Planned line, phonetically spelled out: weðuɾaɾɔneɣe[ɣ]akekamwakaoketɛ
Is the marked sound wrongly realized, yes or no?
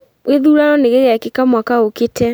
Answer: no